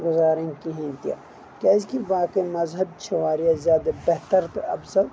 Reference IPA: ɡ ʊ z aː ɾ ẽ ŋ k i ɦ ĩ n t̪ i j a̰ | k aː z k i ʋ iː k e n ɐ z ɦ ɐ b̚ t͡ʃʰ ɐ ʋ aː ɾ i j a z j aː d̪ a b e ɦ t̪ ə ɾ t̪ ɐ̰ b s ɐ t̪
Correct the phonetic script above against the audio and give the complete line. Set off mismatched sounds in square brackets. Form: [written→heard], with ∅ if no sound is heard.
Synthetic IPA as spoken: ɡ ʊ z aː ɾ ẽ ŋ k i ɦ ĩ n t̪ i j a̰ | k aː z k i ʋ [iː→aː] k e [n→m] ɐ z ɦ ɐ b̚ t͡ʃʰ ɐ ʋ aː ɾ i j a z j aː d̪ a b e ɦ t̪ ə ɾ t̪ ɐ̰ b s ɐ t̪